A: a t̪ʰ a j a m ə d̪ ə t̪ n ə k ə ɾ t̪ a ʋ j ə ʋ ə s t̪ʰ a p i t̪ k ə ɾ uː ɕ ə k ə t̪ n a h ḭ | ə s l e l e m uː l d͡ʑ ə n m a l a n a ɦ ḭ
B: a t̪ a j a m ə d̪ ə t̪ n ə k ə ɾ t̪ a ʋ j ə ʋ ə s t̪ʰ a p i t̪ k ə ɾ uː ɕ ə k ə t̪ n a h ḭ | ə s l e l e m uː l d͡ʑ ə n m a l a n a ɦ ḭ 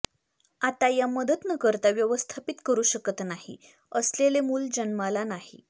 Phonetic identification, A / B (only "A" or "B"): B